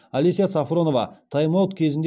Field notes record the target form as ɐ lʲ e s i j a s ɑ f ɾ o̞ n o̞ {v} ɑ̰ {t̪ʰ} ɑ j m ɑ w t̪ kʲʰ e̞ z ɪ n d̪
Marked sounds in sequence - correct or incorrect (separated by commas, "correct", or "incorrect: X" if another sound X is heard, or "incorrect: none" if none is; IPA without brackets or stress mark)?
correct, correct